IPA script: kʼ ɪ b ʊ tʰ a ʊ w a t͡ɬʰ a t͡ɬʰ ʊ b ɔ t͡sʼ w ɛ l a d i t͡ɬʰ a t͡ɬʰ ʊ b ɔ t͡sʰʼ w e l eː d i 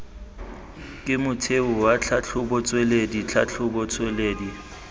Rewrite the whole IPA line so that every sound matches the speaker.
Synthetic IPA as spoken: kʼ ɪ m ʊ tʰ e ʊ w a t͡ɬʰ a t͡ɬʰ ʊ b ɔ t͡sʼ w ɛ l e d i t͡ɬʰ a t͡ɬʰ ʊ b ɔ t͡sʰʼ w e l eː d i